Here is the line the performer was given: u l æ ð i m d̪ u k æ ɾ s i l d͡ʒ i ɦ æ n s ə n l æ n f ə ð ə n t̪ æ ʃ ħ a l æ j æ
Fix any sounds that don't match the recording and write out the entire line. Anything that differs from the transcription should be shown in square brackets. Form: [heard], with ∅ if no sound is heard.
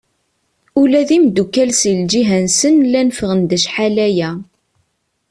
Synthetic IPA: u l æ ð i m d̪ u k æ [l] s i l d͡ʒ i ɦ æ n s ə n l æ n f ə [ʁ] ə n [d̪] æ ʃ ħ a l æ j æ